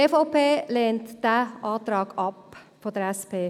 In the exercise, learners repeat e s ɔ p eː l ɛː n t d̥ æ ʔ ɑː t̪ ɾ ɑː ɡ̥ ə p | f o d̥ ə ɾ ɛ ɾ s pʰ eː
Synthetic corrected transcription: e f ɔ p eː l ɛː n t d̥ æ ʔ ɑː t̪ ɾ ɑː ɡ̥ ɑ p | f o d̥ ə ɾ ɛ s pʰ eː

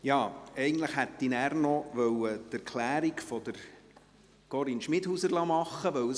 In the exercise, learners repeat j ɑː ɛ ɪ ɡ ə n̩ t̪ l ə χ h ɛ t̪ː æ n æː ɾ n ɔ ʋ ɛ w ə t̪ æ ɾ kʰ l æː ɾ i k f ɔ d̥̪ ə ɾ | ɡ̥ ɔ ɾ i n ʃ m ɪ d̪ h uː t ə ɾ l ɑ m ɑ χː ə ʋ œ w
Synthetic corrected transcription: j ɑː ɛ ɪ ɡ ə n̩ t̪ l ə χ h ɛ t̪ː i n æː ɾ n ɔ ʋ œ w ə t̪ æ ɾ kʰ l æː ɾ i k f ɔ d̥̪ ə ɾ | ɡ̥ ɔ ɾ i n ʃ m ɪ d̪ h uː s ə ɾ l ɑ m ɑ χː ə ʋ œ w

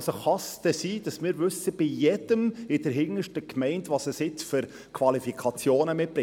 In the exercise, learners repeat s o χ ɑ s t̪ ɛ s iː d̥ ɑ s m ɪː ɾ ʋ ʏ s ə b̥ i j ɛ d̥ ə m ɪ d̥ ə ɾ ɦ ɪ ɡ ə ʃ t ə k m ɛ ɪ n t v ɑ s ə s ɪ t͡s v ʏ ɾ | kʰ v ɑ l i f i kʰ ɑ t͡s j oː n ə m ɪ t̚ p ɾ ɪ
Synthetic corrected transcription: s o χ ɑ s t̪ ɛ s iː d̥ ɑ s m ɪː ɾ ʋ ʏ s ə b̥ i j ɛ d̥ ə m ɪ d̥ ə ɾ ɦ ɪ ŋ ə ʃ t ə k m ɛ ɪ n t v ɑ s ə s ɪ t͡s f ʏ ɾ | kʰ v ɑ l i f i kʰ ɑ t͡s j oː n ə m ɪ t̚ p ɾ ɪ

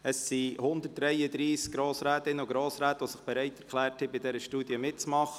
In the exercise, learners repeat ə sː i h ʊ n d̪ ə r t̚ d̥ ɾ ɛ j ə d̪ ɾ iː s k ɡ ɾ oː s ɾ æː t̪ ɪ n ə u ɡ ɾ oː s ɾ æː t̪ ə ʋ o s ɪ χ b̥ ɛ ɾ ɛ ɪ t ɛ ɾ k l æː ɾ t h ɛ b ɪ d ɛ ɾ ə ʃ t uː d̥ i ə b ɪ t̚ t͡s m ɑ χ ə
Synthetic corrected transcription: ə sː i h ʊ n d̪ ə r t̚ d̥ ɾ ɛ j ə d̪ ɾ iː s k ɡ ɾ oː s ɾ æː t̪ ɪ n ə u ɡ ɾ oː s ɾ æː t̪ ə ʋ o s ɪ χ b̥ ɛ ɾ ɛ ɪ t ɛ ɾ k l æː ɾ t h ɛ b ɪ d ɛ ɾ ə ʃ t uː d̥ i ə m ɪ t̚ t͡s m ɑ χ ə

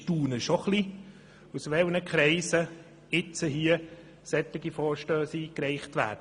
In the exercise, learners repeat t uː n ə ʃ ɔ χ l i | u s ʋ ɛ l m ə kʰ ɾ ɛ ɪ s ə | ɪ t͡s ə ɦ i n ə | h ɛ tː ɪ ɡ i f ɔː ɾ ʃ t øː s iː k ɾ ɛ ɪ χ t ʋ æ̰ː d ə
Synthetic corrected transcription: t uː n ə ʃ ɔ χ l i | u s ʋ ɛ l n ə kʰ ɾ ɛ ɪ s ə | ɪ t͡s ə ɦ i ə | s ɛ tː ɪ ɡ i f ɔː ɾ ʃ t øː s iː k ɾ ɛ ɪ χ t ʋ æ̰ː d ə

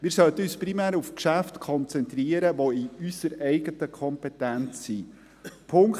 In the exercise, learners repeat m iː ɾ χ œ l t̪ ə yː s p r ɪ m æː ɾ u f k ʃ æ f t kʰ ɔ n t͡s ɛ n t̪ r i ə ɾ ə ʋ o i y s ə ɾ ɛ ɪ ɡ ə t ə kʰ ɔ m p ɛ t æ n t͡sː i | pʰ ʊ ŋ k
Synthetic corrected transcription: m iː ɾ s œ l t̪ ə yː s p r i m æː ɾ u f k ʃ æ f t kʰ ɔ n t͡s ɛ n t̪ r i ə ɾ ə ʋ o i y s ə ɾ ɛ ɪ ɡ ə t ə kʰ ɔ m p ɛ t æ n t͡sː i | pʰ ʊ ŋ k

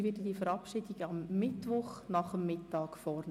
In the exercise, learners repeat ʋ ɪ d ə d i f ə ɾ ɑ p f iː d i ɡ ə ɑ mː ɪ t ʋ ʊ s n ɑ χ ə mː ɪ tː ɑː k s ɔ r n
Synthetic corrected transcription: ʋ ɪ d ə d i f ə ɾ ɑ p ʃ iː d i ɡ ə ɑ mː ɪ t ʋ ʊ χ n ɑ χ ə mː ɪ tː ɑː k f ɔ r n

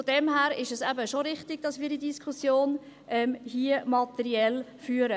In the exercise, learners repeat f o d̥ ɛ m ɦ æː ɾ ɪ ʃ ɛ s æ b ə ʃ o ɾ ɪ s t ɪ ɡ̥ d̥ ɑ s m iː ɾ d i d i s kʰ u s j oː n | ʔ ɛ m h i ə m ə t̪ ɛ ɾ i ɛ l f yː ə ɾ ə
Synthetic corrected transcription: f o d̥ ɛ m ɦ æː ɾ ɪ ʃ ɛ s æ b ə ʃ o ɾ ɪ χ t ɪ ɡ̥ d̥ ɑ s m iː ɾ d i d i s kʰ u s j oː n | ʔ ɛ m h i ə m ɑ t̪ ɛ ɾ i ɛ l f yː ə ɾ ə

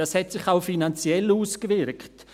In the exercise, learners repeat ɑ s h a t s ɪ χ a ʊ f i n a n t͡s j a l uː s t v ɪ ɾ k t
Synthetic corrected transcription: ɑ s h ɛ t s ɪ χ a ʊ f i n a n t͡s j ɛ l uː s k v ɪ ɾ k t

